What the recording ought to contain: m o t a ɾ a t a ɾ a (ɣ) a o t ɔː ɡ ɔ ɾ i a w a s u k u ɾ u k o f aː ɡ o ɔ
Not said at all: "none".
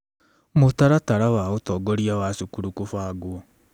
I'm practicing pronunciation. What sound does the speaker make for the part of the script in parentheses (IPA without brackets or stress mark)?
w